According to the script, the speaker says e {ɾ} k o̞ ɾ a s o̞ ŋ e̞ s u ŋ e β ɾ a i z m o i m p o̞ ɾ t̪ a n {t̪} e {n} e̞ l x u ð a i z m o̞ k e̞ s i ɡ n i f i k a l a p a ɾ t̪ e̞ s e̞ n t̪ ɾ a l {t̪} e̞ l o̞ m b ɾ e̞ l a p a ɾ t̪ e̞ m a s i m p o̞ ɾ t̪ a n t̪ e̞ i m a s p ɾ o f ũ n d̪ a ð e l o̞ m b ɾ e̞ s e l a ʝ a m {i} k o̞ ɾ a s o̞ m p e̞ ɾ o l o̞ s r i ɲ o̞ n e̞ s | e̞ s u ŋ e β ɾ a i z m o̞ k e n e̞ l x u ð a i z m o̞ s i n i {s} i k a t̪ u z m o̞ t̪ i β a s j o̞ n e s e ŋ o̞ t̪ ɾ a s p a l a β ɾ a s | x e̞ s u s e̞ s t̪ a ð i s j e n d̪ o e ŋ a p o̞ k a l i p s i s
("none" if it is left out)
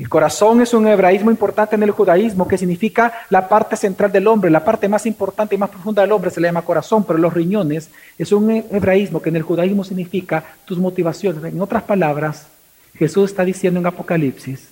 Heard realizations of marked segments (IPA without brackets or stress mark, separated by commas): l, t̪, n, d̪, a, f